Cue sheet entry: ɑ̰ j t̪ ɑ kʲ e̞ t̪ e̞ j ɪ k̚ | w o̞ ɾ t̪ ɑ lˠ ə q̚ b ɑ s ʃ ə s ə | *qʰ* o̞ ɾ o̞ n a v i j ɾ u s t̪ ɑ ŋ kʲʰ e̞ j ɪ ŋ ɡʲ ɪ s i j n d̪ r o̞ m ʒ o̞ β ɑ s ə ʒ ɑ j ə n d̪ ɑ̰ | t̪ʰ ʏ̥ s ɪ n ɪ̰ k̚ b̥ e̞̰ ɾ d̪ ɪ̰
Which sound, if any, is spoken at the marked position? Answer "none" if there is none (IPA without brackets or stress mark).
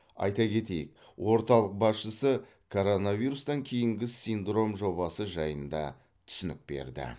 kʰ